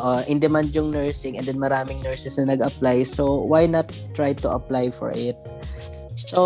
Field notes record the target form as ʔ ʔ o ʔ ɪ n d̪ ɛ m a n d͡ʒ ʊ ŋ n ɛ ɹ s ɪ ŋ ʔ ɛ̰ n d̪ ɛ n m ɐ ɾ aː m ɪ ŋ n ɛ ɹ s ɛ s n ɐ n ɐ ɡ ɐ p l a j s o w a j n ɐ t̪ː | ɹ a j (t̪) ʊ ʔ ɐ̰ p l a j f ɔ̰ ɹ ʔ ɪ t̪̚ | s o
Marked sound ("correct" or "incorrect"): correct